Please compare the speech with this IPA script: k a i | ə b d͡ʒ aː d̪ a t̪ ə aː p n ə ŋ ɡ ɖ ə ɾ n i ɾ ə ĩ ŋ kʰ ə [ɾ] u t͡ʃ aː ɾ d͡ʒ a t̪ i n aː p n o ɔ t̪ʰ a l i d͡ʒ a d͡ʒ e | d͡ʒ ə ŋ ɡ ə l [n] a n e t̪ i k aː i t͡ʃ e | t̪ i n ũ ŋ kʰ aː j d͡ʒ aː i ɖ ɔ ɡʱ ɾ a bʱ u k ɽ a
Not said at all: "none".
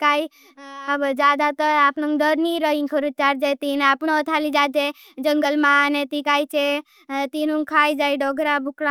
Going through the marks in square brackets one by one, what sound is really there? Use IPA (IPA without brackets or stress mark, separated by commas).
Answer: ɾ, m